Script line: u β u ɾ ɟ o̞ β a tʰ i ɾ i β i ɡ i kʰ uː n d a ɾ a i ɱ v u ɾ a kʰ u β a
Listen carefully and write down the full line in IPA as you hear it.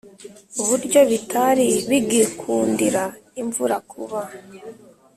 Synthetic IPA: u β u ɾ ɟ o̞ β i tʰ a ɾ i β i ɡ i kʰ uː n d i ɾ a i ɱ v u ɾ a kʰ u β a